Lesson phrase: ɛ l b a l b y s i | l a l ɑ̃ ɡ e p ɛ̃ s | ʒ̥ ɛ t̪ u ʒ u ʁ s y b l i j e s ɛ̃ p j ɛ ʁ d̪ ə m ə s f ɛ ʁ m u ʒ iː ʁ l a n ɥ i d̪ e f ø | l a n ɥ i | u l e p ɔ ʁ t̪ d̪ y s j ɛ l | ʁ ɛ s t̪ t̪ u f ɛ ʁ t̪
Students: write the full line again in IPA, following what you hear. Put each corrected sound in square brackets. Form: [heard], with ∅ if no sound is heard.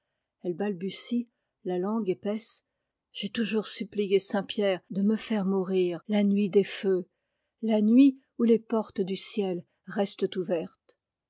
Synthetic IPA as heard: ɛ l b a l b y s i | l a l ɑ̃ ɡ e p [ɛ] s | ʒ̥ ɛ t̪ u ʒ u ʁ s y [p] l i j e s ɛ̃ p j ɛ ʁ d̪ ə m ə [∅] f ɛ ʁ m u [ʁ] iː ʁ l a n ɥ i d̪ e f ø | l a n ɥ i | u l e p ɔ ʁ t̪ d̪ y s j ɛ l | ʁ ɛ s t̪ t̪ u [v] ɛ ʁ t̪